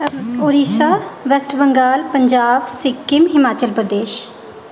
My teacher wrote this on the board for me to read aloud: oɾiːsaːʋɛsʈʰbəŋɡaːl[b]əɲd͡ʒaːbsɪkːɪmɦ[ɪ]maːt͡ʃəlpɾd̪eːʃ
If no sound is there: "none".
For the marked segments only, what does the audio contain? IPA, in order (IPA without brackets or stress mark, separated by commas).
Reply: p, ɪ